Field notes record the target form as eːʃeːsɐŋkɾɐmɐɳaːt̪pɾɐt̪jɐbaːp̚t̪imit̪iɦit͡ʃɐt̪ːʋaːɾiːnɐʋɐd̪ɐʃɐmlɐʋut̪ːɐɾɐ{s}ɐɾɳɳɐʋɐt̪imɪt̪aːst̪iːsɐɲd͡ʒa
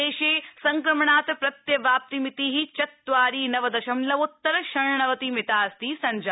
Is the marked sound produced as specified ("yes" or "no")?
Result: no